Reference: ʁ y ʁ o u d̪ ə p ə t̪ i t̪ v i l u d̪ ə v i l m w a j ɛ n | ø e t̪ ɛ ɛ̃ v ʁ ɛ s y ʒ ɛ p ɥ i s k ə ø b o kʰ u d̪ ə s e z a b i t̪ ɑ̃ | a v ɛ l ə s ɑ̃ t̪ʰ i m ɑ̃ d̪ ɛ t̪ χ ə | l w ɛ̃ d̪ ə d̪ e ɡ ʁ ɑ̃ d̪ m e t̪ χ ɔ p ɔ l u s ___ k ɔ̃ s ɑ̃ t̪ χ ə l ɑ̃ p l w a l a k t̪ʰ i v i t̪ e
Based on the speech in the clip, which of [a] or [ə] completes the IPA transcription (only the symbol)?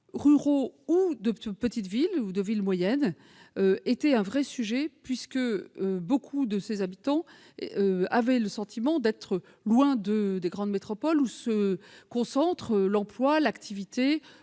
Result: ə